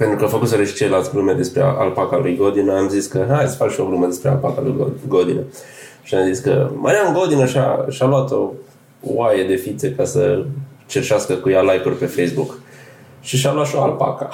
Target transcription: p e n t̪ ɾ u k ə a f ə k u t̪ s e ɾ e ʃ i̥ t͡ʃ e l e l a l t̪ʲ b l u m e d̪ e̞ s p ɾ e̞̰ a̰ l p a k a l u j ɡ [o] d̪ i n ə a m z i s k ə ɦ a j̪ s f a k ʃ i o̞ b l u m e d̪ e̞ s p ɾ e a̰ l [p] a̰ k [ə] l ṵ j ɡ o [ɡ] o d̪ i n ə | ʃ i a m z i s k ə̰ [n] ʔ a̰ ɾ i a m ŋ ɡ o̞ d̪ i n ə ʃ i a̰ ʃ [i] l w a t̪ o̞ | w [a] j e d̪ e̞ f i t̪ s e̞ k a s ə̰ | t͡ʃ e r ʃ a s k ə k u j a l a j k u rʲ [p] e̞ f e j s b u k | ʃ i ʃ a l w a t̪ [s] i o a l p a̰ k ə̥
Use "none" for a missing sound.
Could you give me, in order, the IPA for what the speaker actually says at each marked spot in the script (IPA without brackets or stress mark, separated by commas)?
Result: o, p, a, ɡ, m, a, a, p, ʃ